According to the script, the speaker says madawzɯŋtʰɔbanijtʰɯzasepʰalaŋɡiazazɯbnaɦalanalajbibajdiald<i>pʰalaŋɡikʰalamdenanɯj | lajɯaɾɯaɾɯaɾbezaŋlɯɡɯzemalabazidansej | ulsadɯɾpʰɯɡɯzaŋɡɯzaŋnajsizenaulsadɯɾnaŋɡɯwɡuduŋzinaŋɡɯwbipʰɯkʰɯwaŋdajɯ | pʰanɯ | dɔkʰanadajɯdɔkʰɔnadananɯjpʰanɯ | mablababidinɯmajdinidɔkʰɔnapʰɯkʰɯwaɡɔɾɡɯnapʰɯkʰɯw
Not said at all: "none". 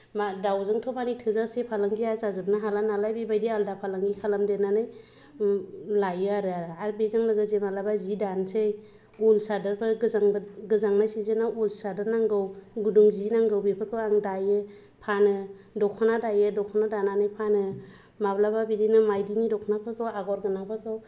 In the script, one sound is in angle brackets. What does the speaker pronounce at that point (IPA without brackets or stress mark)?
a